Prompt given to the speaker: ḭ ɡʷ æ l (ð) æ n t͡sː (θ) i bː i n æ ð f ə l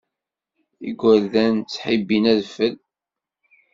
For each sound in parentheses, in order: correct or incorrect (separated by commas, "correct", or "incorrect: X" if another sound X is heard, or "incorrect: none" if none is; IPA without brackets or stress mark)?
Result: correct, incorrect: ħ